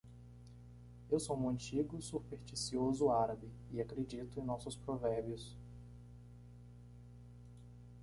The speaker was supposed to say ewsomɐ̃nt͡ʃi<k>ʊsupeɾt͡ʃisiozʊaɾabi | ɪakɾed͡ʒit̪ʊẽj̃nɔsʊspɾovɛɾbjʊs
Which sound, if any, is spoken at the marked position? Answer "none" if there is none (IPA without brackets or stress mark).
ɡ